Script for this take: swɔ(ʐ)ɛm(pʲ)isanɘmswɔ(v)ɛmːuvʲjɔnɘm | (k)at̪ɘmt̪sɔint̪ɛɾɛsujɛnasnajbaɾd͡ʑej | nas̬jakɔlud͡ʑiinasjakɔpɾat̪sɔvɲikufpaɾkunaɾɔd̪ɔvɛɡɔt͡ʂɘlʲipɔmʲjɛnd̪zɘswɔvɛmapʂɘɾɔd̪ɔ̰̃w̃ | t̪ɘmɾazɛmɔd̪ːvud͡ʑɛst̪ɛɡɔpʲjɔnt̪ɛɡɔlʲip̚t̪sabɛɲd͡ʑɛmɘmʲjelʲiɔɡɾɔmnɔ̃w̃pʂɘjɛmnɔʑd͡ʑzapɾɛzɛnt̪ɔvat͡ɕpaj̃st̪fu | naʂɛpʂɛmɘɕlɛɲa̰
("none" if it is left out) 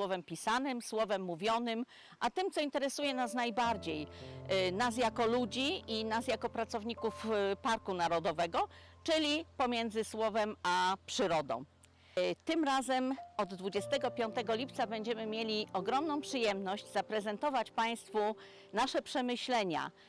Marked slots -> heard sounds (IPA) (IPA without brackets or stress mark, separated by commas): v, pʲ, v, ʔ